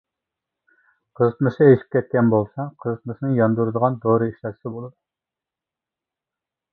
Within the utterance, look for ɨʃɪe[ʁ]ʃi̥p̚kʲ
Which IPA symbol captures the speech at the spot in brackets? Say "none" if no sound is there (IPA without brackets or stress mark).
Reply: none